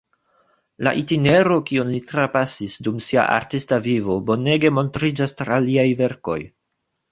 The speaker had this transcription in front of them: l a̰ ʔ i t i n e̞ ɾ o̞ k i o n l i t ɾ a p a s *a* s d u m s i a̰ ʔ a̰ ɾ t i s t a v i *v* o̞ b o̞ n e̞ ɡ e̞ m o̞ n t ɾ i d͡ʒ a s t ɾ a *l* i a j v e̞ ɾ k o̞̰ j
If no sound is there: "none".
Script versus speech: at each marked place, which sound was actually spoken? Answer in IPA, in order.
i, v, l

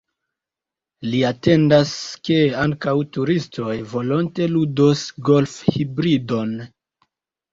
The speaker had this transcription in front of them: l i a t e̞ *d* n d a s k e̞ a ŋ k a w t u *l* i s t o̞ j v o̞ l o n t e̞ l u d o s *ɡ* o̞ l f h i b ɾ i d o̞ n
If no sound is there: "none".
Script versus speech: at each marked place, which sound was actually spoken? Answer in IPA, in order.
none, ɾ, ɡ

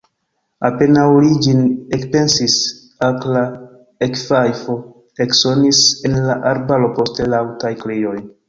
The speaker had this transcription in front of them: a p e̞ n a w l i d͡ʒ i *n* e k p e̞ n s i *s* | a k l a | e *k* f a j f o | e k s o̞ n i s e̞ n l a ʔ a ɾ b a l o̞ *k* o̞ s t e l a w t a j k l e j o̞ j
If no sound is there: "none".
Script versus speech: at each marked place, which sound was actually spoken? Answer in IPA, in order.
n, s, k, p

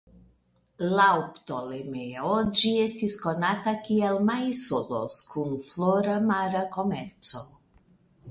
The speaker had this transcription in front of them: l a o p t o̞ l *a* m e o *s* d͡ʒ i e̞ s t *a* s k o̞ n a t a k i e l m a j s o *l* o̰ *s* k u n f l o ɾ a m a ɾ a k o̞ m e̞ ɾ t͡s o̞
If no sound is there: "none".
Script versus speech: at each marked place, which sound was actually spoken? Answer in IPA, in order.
e, none, i, l, s

